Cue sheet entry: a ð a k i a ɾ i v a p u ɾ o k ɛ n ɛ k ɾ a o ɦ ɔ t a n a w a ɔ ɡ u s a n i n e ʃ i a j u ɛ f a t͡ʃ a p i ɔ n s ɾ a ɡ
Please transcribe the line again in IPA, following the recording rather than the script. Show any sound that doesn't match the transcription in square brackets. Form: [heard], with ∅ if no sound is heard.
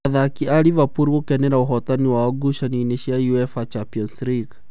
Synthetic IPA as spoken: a ð a k i a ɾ i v a p u ɾ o k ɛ n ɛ [∅] ɾ a o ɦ ɔ t a n [i] w a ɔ ɡ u [ʃ] a n i n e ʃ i a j u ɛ f a t͡ʃ a p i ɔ n s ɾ [i] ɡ